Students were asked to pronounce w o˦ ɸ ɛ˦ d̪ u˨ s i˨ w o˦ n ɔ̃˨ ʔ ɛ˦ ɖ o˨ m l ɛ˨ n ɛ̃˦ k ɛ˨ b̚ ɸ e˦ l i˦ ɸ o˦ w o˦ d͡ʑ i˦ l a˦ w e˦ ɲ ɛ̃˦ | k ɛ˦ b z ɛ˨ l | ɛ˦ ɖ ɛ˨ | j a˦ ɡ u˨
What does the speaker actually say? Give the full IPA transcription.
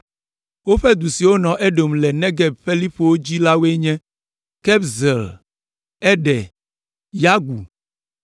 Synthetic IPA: w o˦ ɸ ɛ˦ d̪ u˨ s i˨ w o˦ n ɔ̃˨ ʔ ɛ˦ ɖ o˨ m l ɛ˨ n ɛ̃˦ ɡ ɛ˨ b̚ ɸ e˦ l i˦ ɸ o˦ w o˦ d͡ʑ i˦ l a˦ w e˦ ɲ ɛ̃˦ | k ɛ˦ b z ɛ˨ l | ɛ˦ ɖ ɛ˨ | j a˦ ɡ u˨